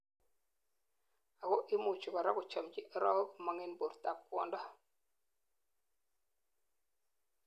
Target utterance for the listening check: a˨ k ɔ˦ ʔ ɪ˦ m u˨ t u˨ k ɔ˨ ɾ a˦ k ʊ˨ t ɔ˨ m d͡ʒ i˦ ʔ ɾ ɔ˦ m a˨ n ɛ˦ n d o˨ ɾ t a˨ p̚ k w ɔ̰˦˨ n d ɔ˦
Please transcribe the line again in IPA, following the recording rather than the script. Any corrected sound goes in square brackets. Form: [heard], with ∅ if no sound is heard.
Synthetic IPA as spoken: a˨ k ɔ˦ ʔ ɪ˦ m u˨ [t͡ʃ] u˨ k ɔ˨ ɾ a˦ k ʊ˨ [t͡ʃ] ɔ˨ m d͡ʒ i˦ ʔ ɾ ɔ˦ m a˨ [ŋ] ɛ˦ n [b] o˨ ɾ t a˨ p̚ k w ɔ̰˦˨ n d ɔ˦